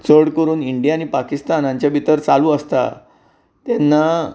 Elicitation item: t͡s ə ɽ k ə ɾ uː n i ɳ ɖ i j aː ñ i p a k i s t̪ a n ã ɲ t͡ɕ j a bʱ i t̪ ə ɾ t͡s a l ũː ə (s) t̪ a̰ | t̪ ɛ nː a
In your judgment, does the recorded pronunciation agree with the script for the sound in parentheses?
yes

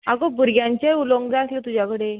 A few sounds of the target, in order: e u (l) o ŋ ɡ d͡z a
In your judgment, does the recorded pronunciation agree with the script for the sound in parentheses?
yes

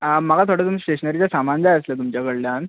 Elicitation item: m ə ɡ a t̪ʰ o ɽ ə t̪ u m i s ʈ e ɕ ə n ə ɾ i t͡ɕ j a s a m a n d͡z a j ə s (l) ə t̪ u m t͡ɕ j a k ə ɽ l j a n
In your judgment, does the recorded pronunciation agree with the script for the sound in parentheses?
yes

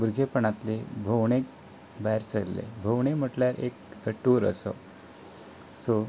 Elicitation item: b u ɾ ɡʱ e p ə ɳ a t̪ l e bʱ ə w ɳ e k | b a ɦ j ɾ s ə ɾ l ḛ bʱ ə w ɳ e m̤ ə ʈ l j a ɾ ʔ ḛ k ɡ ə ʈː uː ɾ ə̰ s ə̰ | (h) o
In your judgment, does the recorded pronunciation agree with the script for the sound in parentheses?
no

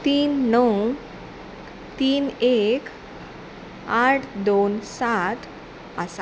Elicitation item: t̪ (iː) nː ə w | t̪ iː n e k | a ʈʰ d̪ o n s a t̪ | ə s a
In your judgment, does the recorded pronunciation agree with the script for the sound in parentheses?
yes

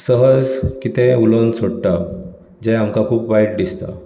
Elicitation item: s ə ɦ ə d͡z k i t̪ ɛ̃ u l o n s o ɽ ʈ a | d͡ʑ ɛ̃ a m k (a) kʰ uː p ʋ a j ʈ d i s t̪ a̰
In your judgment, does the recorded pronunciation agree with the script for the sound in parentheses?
yes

